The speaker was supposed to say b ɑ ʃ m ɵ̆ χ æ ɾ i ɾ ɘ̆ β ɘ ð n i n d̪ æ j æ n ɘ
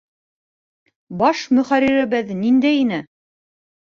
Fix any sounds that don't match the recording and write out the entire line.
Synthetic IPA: b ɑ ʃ m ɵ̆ χ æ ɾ i ɾ ɘ̆ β ɘ ð n i n d̪ æ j i n ɘ